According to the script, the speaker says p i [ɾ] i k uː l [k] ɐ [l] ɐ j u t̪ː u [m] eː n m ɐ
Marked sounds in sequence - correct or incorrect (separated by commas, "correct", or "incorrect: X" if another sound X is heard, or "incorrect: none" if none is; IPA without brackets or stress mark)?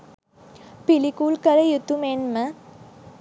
incorrect: l, correct, incorrect: ɾ, correct